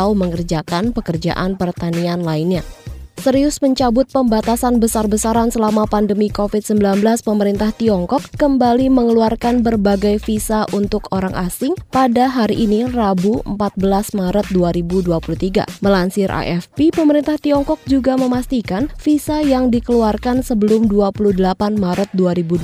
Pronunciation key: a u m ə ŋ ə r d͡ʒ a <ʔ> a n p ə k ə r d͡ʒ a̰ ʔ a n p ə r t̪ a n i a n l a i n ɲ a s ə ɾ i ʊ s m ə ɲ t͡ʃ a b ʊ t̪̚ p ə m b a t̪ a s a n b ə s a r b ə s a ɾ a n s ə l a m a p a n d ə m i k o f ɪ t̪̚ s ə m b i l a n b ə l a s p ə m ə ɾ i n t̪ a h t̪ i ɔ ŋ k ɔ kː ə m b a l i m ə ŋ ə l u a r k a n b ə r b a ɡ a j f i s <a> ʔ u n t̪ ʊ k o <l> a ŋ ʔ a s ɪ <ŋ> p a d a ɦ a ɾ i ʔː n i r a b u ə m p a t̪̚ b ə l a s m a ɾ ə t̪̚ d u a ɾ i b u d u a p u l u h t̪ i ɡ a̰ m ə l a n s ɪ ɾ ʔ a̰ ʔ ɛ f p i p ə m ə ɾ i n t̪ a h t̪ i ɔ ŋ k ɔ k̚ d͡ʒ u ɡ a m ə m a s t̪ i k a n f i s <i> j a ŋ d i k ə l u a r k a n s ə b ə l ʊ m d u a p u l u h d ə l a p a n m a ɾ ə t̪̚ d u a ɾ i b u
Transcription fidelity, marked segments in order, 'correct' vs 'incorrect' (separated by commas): incorrect, correct, incorrect, correct, incorrect